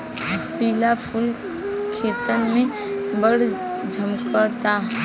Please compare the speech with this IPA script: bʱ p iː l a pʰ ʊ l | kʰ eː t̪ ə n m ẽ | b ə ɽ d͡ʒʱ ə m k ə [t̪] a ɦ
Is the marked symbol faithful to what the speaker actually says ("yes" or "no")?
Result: yes